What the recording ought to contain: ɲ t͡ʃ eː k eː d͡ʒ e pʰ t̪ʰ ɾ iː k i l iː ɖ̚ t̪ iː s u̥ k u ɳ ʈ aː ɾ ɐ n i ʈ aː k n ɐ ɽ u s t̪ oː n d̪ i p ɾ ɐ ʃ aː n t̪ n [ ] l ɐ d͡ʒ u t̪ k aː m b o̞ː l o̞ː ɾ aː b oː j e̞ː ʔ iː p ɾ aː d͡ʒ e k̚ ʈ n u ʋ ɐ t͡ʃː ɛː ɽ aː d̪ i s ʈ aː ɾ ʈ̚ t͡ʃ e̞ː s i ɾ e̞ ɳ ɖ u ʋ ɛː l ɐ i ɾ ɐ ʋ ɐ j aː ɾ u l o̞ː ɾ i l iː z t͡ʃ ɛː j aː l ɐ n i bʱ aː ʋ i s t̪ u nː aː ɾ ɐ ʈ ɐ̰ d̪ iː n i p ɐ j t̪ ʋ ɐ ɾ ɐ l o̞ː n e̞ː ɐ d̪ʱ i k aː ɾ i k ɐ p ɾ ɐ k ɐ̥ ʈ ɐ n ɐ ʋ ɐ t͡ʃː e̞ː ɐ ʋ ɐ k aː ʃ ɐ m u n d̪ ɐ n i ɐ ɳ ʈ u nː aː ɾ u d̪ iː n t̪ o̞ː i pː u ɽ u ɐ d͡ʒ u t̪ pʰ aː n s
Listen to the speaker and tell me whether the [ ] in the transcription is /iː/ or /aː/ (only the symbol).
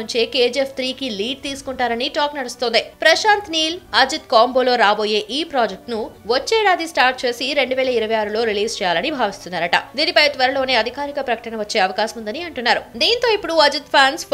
iː